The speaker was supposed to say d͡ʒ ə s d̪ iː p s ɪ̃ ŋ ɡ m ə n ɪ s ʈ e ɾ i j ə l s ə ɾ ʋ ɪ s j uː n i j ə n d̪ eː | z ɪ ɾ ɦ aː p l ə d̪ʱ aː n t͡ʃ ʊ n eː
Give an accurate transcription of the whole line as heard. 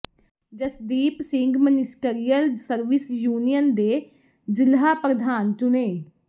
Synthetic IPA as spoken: d͡ʒ ə s d̪ iː p s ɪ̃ ŋ ɡ m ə n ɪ s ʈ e ɾ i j ə l s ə ɾ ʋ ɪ s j uː n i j ə n d̪ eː | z ɪ l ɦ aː p ɾ ə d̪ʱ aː n t͡ʃ ʊ n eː